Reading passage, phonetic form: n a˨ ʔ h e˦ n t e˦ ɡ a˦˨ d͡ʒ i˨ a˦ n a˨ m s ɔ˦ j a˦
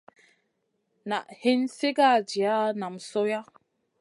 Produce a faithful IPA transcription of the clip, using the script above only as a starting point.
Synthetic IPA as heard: n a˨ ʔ h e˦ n s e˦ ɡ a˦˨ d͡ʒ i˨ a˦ n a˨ m s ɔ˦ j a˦